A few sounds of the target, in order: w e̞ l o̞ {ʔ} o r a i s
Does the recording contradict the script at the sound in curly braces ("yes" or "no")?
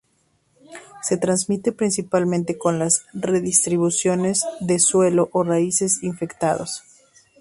no